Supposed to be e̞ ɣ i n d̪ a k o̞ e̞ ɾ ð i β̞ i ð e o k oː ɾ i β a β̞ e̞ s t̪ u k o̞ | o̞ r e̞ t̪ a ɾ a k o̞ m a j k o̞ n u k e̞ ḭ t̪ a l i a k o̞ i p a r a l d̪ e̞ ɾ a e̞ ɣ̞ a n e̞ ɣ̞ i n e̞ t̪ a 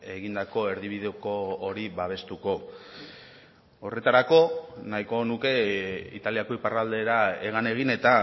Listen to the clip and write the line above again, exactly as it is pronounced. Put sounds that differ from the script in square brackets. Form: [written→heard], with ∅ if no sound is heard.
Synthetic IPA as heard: e̞ ɣ i n d̪ a k o̞ e̞ ɾ ð i β̞ i ð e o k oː ɾ i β a β̞ e̞ s t̪ u k o̞ | o̞ r e̞ t̪ a ɾ a k o̞ [m→n] a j k o̞ n u k e̞ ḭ t̪ a l i a k o̞ i p a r a l d̪ e̞ ɾ a e̞ ɣ̞ a n e̞ ɣ̞ i n e̞ t̪ a